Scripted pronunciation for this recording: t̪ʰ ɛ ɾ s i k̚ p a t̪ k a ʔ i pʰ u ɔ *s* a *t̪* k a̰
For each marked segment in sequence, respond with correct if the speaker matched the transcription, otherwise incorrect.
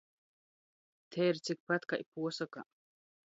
correct, incorrect

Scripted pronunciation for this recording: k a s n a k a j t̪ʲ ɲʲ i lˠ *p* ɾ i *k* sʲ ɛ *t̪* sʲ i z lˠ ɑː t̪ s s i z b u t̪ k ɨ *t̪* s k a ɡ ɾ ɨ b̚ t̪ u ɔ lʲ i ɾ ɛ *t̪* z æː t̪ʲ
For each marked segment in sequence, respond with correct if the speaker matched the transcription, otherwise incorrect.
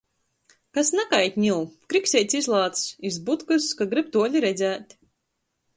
incorrect, correct, correct, incorrect, incorrect

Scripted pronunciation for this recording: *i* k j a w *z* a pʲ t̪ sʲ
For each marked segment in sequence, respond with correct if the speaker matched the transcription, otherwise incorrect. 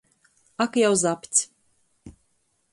incorrect, correct

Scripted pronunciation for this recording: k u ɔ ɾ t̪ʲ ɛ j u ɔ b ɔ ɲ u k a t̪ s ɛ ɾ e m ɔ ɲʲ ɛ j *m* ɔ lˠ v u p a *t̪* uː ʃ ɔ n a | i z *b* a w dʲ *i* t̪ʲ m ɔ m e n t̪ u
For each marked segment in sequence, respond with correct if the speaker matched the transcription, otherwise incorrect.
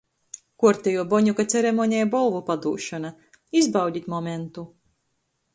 incorrect, incorrect, correct, correct

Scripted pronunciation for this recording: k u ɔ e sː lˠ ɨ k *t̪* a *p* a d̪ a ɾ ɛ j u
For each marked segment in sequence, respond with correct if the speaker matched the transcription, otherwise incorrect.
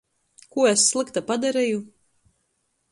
correct, correct

